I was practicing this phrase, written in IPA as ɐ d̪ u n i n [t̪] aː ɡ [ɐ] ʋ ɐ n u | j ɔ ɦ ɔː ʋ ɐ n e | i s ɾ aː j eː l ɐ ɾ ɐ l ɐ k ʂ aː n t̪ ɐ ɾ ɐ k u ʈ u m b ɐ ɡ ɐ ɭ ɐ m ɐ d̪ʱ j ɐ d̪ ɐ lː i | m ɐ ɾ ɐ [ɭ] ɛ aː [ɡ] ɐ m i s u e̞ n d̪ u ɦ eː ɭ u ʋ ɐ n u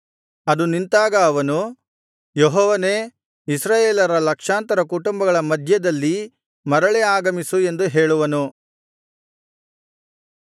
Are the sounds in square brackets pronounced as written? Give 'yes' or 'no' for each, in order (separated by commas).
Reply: yes, no, yes, yes